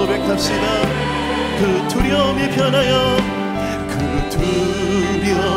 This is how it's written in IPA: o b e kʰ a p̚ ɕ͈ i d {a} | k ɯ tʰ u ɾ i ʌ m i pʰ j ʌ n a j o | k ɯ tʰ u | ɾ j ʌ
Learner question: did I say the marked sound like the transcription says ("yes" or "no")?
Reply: yes